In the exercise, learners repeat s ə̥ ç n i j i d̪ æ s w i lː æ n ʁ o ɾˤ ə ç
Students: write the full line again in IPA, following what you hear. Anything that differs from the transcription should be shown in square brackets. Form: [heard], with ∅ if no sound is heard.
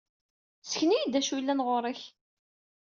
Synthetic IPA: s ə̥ ç n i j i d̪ æ [ʃ] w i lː æ n ʁ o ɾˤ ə ç